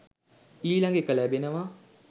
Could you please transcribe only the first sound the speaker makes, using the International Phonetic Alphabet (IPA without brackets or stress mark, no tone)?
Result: iː